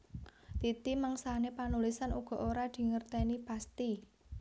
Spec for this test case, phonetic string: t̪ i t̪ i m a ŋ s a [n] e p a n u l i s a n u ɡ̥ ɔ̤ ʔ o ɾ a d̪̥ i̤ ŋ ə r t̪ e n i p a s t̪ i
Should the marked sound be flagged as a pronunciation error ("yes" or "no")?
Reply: no